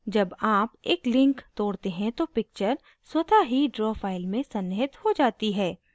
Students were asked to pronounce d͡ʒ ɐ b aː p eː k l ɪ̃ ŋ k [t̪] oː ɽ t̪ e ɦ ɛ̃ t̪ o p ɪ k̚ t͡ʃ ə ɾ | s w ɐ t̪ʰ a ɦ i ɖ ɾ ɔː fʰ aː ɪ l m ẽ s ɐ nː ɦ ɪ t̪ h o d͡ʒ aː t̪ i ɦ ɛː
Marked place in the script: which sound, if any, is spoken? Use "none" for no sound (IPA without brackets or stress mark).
t̪